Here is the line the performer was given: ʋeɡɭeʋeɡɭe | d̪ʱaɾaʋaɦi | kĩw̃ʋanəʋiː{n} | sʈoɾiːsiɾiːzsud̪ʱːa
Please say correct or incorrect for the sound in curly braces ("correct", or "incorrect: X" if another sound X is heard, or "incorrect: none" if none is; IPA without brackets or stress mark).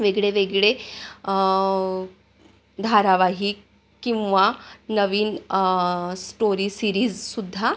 correct